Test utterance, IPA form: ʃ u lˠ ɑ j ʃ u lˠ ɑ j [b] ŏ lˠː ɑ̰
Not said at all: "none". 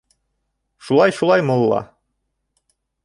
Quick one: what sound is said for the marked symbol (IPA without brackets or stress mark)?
m